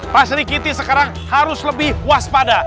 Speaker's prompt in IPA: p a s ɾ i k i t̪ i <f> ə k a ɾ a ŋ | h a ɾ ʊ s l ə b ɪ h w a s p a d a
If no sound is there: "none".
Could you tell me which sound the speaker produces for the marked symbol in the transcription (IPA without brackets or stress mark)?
s